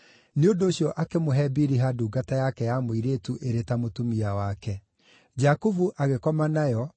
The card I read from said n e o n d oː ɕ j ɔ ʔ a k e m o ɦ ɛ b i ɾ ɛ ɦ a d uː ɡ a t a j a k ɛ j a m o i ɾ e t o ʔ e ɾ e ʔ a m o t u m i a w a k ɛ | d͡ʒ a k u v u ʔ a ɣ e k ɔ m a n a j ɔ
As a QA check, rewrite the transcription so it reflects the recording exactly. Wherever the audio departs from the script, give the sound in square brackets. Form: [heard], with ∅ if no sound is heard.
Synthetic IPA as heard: n e o n d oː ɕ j ɔ ʔ a k e m o ɦ ɛ b i ɾ [i] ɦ a d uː ɡ a t a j a k ɛ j a m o i ɾ e t [u] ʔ e ɾ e [t] a m o t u m i a w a k ɛ | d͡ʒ a k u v u ʔ a ɣ e k ɔ m a n a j ɔ